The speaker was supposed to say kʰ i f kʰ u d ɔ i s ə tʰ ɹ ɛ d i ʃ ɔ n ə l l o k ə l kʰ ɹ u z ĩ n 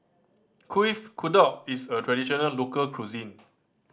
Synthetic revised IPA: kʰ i f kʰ u d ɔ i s ə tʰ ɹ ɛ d i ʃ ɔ n ə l l o k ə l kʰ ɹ u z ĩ n

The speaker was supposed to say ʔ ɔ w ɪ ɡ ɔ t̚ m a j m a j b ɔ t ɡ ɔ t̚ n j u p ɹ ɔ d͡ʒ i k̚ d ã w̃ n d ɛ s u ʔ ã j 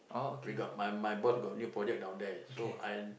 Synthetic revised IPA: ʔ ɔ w i ɡ ɔ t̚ m a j m a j b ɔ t ɡ ɔ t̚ n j u p ɹ ɔ d͡ʒ ɛ k̚ d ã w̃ n d ɛ s o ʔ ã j

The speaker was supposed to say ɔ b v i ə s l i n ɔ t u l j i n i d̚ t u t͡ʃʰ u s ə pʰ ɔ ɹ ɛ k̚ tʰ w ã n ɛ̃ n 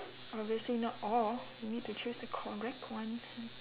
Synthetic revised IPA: ɔ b v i ə s l i n ɔ t ɔ l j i n i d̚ t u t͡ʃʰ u s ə kʰ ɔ ɹ ɛ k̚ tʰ w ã n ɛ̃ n

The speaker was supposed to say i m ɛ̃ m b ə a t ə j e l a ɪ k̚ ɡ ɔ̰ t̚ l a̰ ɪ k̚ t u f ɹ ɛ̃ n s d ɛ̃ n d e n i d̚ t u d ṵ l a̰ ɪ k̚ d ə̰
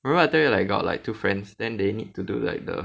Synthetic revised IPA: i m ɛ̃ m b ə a t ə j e l a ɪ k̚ ɡ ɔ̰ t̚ l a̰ ɪ k̚ t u f ɹ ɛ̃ n s d ɛ̃ n d e n i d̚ t u d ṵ l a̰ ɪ k̚ d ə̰

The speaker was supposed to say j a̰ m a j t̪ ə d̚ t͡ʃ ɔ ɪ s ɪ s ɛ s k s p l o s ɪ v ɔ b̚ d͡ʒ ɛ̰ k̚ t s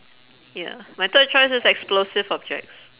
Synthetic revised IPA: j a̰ m a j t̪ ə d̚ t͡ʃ ɔ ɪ s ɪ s ɛ k s p l o s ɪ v ɔ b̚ d͡ʒ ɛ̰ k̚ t s

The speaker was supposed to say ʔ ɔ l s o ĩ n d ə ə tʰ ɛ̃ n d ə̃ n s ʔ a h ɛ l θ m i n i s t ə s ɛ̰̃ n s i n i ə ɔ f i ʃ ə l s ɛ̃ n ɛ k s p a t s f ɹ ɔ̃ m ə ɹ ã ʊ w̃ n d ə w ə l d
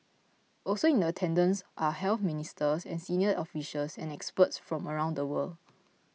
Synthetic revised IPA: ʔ ɔ l s o ĩ n d ə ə tʰ ɛ̃ n d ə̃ n s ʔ a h ɛ l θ m i n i s t ə s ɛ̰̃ n s i n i ə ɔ f i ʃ ə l s ɛ̃ n ɛ k s p ə t s f ɹ ɔ̃ m ə ɹ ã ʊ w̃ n d ə w ə l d

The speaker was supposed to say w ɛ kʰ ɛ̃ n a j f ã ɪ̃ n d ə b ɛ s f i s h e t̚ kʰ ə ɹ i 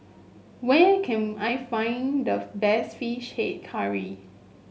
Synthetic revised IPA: w ɛ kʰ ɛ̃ n a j f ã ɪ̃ n d ə b ɛ s f i ʃ h e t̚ kʰ a ɹ i

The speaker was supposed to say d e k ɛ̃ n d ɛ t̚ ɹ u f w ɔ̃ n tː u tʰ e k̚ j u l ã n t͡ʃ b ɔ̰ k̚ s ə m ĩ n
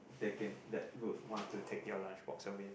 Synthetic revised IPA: d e k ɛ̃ n d ɛ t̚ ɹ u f w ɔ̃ n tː u tʰ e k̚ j ɔ l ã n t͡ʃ b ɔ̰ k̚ s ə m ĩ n

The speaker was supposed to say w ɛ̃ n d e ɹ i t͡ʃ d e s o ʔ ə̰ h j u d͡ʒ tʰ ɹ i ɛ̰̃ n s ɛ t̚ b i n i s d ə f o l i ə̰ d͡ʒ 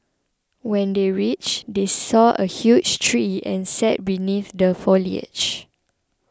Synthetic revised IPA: w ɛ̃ n d e ɹ i t͡ʃ d e s ɔ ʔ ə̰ h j u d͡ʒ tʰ ɹ i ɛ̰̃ n s ɛ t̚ b i n i θ d ə f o l i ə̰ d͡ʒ

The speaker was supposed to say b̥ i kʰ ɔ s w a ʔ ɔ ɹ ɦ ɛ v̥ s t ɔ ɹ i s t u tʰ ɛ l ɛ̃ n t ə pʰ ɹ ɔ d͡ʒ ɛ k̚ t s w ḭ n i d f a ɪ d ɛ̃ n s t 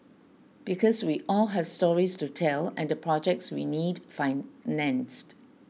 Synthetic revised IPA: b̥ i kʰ ɔ s w i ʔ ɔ l ɦ ɛ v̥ s t ɔ ɹ i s t u tʰ ɛ l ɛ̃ n d ə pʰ ɹ ɔ d͡ʒ ɛ k̚ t s w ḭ n i d f a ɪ n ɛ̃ n s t

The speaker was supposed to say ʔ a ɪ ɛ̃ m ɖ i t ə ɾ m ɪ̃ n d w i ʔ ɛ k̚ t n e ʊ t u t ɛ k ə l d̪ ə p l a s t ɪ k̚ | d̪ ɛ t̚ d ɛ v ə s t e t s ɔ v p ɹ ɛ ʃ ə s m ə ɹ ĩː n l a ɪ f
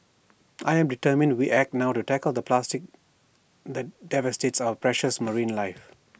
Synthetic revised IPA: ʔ a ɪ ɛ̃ m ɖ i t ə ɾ m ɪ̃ n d w i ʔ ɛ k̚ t n a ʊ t u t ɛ k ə l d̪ ə p l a s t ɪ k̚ | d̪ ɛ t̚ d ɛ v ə s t e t s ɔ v p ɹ ɛ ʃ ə s m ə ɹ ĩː n l a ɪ f

